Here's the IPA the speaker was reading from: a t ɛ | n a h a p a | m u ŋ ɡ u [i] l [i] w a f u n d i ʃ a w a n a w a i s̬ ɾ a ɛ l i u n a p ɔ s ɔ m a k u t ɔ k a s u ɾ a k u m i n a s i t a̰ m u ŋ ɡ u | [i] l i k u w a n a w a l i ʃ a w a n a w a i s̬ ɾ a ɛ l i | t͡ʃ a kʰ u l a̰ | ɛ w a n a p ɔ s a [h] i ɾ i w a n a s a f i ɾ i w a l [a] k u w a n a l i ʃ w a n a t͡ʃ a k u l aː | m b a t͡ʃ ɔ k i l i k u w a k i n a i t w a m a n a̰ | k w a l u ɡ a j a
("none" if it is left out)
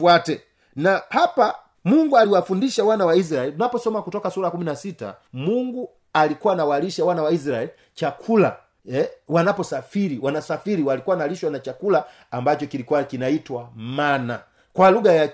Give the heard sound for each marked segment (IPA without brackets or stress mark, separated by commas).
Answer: a, i, a, f, i